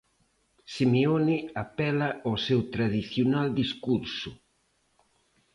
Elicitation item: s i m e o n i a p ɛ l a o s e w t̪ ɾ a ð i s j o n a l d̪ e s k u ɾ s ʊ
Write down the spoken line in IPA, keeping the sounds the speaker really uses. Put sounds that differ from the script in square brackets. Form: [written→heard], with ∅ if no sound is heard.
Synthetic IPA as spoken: s i m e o n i a p ɛ l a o s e w t̪ ɾ a ð i [s→θ] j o n a l d̪ [e→i] s k u ɾ s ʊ